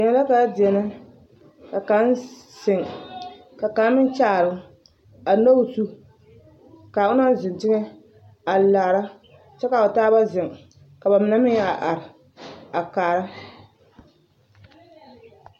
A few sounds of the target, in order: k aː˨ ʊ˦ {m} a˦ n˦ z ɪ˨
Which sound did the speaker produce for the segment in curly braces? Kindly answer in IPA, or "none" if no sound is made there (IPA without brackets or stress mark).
n